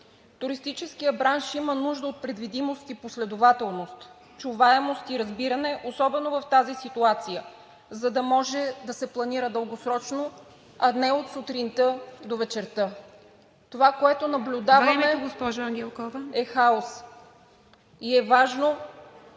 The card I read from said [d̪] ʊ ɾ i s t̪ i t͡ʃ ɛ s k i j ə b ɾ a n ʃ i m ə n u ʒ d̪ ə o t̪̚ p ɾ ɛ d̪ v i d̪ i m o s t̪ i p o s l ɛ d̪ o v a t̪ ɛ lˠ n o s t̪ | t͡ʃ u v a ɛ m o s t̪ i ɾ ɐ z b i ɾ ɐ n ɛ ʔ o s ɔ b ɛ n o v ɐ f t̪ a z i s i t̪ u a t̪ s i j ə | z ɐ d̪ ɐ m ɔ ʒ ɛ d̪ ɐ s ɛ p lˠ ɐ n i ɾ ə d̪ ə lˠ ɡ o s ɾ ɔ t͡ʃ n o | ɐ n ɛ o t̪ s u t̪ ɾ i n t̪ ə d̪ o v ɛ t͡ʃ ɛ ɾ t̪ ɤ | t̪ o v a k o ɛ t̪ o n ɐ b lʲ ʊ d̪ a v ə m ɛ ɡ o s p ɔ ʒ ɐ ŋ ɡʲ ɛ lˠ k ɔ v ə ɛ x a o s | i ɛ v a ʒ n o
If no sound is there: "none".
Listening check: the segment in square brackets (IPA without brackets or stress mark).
t̪